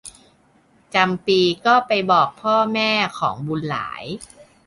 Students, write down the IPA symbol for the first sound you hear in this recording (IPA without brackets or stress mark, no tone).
t͡ɕ